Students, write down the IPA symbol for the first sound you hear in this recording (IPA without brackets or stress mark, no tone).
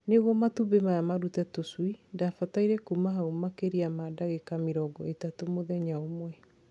n